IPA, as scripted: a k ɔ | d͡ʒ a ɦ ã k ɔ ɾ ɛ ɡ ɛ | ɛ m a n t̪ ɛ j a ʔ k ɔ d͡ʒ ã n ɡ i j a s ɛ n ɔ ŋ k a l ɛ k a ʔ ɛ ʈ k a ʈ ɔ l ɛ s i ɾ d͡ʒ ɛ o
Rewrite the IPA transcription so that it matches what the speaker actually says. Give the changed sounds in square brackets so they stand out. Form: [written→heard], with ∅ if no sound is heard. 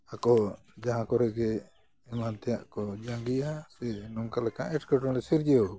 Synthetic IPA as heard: a k ɔ | d͡ʒ a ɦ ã k ɔ ɾ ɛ ɡ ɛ | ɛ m a n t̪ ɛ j a ʔ k ɔ d͡ʒ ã [n→ŋ] ɡ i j a s ɛ n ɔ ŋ k a l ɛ k a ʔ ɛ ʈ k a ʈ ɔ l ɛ s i ɾ d͡ʒ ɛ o

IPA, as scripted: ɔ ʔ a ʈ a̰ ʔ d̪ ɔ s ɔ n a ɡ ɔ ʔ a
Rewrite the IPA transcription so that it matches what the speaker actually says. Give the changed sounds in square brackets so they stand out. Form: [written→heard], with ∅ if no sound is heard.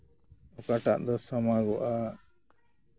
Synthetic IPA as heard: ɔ [ʔ→k] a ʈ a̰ ʔ d̪ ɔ s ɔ [n→m] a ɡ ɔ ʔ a

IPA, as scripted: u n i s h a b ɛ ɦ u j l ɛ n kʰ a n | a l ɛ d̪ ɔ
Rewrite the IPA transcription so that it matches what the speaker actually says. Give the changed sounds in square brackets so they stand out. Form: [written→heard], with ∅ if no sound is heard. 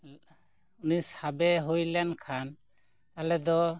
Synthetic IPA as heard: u n i s h a b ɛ ɦ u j l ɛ n kʰ a n | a l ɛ d̪ ɔ

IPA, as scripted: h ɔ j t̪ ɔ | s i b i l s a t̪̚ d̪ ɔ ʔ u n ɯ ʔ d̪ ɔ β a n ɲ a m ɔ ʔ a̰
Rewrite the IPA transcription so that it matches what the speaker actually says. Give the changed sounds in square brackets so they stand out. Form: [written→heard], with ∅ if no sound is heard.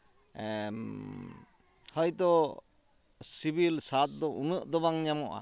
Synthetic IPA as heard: h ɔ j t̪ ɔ | s i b i l s a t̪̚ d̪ ɔ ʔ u n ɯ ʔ d̪ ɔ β a [n→ŋ] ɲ a m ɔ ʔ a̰

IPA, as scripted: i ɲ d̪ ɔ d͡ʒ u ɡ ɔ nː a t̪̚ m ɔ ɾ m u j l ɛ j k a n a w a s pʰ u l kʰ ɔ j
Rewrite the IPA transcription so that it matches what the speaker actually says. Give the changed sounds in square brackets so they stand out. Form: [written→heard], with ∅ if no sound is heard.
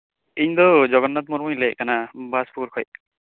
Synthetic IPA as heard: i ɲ d̪ ɔ d͡ʒ [u→ɔ] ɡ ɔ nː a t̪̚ m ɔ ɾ m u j l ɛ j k a n a [w→b] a s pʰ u [l→ɾ] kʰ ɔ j

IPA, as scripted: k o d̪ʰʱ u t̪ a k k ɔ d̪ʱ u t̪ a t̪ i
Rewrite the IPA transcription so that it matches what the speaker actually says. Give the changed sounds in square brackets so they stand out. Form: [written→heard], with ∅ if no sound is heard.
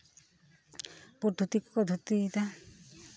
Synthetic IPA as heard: [k→p] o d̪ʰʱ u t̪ [a→i] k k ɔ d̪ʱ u t̪ [a→i] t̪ [i→a]

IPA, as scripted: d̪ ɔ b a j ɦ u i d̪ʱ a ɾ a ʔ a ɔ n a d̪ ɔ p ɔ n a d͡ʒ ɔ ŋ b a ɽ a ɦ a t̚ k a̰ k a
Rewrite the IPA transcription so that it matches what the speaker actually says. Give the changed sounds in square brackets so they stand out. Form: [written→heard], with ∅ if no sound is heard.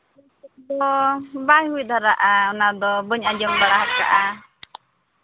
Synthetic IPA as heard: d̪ ɔ b a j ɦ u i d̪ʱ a ɾ a ʔ a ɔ n a d̪ ɔ [p→b] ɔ [n→ɲ] a d͡ʒ ɔ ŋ b a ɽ a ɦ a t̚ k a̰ [k→ʔ] a

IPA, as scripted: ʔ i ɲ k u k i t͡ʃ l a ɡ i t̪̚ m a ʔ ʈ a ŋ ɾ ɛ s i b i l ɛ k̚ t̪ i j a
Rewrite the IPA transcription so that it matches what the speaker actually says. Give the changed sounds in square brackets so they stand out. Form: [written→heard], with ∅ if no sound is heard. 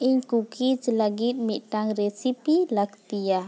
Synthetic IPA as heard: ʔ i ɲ k u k i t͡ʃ l a ɡ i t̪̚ m [a→i] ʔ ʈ a ŋ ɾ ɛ s i [b→p] i l [ɛ→a] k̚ t̪ i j a

